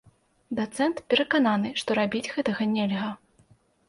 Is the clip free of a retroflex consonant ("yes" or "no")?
no